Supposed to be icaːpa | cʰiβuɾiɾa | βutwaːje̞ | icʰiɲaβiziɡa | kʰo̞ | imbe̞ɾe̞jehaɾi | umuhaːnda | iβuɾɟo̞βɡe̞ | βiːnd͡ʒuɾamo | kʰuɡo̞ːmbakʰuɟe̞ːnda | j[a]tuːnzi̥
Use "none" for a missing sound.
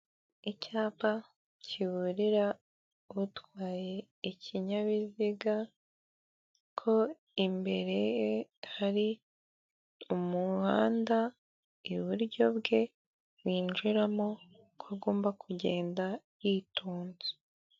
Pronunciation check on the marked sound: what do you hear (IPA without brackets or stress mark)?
i